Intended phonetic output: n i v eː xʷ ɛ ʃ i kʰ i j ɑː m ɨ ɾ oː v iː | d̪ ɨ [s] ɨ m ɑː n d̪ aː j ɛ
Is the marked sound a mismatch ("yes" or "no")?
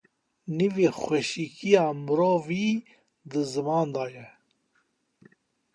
yes